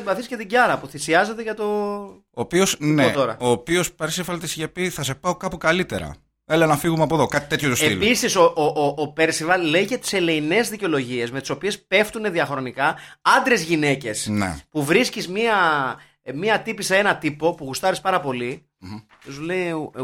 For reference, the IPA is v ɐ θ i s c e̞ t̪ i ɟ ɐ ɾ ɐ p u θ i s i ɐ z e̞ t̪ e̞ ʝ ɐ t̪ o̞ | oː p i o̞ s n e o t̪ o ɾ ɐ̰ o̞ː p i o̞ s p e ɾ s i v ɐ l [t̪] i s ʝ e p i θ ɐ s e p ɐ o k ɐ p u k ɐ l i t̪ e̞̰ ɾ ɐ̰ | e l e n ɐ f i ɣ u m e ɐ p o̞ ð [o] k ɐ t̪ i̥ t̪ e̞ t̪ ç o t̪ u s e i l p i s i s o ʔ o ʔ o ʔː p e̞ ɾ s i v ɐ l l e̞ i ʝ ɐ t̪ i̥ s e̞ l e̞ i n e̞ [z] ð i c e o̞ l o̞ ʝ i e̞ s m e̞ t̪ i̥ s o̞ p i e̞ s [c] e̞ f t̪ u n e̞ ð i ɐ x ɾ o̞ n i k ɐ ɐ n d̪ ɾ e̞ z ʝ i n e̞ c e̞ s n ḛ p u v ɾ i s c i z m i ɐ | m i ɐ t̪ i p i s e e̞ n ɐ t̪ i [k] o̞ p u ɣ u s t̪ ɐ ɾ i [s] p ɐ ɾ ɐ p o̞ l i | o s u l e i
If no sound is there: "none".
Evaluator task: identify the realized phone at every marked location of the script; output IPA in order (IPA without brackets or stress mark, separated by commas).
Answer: t̪, o, z, p, p, s